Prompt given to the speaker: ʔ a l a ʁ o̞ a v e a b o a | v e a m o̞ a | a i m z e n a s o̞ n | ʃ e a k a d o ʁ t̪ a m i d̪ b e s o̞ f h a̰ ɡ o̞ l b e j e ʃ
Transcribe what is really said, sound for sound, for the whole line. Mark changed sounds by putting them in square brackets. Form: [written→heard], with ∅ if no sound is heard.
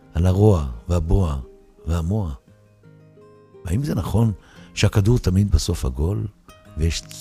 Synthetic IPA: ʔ a l a ʁ o̞ a v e a b o a | v e a m o̞ a | a i m z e n a [s→χ] o̞ n | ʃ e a k a d [o→u] ʁ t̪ a m i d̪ b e s o̞ f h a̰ ɡ o̞ l [b→v] e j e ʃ